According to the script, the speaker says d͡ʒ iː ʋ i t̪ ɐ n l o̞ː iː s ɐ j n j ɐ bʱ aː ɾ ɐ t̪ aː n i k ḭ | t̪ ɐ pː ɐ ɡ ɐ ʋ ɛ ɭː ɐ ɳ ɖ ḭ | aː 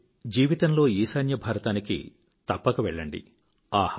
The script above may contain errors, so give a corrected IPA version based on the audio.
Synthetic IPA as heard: d͡ʒ iː ʋ i t̪ ɐ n l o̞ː iː s ɐ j n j ɐ bʱ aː ɾ ɐ t̪ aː n i k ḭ | t̪ ɐ pː ɐ k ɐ ʋ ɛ ɭː ɐ ɳ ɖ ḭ | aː